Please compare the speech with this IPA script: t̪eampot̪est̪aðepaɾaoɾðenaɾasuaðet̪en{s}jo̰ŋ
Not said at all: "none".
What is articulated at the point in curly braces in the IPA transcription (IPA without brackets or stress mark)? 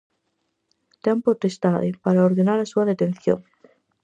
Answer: θ